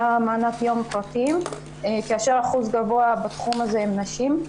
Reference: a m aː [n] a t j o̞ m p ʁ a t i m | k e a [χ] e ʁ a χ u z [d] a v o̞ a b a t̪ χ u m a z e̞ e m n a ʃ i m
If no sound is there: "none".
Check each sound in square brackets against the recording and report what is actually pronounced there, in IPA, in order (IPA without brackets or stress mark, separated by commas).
n, ʃ, ɡ